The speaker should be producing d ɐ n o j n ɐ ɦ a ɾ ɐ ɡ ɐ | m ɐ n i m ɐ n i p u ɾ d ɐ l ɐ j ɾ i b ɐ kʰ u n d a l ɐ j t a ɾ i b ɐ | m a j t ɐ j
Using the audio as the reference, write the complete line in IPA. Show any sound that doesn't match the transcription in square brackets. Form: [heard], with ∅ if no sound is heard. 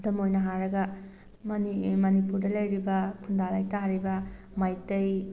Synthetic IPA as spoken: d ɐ [m] o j n ɐ ɦ a ɾ ɐ ɡ ɐ | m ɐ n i m ɐ n i p u ɾ d ɐ l ɐ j ɾ i b ɐ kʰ u n d a l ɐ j t a ɾ i b ɐ | m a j t ɐ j